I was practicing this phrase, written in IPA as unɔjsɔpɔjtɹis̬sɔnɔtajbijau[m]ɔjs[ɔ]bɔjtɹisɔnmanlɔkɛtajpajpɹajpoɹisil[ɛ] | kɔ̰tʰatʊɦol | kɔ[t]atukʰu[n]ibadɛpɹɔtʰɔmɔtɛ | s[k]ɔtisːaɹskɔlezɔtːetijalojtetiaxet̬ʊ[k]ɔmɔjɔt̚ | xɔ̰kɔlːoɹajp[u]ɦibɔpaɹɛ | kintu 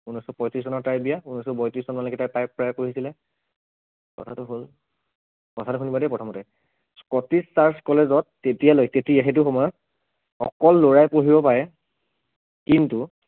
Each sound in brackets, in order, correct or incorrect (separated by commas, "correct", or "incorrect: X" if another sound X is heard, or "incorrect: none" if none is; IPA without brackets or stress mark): incorrect: n, correct, correct, incorrect: tʰ, correct, correct, incorrect: x, incorrect: o